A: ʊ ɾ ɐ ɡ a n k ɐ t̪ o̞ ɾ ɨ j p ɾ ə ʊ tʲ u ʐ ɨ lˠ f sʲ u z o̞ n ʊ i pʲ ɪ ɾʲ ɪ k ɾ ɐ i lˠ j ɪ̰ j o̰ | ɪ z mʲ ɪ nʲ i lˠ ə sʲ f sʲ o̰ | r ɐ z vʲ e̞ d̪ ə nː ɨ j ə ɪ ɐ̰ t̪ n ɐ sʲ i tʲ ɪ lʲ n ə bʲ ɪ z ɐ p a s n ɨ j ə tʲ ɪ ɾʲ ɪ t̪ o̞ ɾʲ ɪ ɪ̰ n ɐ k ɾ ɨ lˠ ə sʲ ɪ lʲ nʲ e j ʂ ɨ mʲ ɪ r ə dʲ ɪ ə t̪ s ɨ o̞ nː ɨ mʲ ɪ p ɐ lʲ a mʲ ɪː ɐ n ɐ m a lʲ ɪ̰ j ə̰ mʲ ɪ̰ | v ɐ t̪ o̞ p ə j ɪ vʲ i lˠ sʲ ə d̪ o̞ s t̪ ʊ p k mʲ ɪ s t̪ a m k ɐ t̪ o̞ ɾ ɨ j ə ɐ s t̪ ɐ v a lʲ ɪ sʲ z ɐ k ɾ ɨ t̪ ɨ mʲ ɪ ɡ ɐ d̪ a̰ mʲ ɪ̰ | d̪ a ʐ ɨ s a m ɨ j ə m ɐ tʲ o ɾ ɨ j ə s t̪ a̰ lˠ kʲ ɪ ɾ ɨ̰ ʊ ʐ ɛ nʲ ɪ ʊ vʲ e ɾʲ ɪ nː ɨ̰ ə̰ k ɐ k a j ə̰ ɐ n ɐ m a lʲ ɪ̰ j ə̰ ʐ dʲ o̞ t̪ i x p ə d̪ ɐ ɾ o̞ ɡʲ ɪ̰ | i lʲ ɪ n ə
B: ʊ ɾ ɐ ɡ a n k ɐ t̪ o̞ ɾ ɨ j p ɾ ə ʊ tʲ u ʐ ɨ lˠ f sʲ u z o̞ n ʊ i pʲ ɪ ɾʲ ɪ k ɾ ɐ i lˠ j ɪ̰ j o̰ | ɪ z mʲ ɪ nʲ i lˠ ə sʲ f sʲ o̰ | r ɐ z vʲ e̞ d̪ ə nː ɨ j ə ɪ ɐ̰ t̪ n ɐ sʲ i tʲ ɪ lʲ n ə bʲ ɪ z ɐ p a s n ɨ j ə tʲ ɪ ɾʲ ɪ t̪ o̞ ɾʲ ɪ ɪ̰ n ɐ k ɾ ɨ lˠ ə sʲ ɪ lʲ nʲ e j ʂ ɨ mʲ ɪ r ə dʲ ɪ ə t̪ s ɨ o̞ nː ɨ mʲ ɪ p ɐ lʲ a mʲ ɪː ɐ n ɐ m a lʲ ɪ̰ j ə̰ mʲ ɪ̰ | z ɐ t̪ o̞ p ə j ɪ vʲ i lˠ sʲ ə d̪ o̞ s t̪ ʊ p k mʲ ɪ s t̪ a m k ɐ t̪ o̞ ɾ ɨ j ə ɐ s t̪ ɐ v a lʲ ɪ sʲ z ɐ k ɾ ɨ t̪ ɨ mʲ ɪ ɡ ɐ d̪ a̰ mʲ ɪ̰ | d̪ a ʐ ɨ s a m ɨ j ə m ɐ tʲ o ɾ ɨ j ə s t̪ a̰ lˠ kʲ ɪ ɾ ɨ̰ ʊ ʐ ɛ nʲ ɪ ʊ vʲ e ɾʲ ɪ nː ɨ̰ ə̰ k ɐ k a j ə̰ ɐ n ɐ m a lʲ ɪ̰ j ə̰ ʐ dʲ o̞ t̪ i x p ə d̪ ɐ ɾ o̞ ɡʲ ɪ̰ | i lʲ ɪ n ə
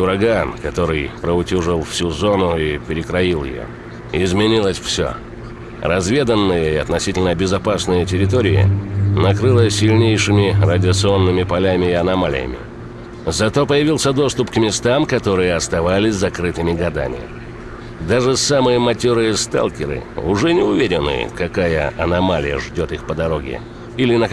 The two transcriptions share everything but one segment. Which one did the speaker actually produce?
B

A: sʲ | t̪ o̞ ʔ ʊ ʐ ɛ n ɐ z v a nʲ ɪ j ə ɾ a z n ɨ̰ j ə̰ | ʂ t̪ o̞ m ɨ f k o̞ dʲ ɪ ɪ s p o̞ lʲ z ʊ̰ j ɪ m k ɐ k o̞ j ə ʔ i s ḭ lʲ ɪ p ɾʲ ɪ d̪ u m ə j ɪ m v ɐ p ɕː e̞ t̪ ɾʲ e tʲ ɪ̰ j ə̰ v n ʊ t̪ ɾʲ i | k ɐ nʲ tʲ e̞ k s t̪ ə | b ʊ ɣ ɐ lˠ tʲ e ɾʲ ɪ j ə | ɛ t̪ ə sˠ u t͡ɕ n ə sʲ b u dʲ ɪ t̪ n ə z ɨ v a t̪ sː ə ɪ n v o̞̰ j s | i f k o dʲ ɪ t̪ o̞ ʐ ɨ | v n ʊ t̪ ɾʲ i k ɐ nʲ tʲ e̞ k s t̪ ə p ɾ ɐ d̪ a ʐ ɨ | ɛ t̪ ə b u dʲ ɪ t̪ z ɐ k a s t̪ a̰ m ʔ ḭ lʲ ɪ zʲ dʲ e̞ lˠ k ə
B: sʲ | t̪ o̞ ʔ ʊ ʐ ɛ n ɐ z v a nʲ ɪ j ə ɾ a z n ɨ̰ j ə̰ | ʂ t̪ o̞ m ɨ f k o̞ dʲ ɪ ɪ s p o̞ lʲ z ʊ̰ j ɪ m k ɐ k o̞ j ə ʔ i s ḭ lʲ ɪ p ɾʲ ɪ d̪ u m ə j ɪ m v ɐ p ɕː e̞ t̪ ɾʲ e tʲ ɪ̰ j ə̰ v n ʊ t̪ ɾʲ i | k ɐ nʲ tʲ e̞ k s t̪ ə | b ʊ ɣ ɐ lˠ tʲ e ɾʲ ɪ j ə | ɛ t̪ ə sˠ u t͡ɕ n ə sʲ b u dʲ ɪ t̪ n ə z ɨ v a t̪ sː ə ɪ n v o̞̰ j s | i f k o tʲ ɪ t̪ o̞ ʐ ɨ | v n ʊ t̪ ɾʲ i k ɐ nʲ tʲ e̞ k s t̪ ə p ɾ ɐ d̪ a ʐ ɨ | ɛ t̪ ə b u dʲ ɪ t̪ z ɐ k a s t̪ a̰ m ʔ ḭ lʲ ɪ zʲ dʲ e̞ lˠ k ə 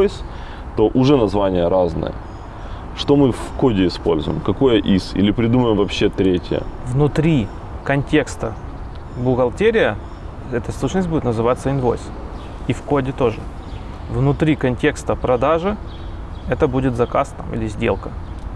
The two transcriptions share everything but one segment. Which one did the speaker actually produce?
A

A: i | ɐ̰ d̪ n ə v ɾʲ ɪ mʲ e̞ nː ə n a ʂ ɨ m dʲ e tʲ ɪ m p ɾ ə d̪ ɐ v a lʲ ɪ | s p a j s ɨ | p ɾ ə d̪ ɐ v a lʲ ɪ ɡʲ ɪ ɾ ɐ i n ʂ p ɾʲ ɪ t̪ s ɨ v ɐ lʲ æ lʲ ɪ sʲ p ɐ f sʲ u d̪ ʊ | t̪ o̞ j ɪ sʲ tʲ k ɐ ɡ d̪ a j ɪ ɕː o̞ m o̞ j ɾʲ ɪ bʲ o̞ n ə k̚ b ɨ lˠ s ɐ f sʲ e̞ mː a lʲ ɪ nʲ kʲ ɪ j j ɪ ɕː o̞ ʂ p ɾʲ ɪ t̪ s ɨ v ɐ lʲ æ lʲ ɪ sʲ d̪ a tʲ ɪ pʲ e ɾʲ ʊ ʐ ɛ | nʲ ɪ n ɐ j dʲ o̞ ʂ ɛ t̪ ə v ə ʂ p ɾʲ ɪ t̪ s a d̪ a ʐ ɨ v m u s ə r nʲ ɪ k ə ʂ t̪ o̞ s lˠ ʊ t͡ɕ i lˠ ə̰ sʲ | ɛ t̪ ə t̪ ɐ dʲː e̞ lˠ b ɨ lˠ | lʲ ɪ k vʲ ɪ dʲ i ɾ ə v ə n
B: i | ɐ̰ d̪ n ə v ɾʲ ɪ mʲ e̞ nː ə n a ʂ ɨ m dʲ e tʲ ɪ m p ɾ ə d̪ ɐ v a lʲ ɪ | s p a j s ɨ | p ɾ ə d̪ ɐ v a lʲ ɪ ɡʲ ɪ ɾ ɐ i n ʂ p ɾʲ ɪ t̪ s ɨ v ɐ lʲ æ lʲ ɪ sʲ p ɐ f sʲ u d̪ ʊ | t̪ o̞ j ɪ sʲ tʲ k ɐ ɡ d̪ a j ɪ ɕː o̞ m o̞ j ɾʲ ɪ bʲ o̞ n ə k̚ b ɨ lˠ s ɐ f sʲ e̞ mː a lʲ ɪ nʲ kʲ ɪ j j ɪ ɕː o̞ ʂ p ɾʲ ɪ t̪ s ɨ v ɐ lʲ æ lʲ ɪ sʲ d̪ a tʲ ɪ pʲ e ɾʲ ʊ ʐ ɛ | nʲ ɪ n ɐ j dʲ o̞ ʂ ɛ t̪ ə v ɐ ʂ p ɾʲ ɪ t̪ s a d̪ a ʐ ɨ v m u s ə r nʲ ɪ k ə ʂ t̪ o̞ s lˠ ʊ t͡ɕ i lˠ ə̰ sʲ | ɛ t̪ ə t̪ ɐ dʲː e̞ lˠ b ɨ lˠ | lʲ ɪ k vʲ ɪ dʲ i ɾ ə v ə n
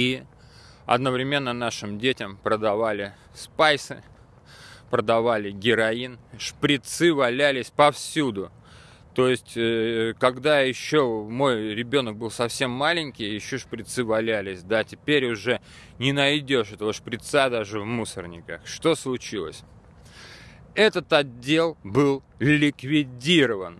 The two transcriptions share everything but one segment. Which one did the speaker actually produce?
A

